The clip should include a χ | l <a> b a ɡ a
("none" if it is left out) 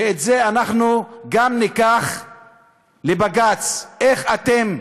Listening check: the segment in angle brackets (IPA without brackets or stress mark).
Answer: e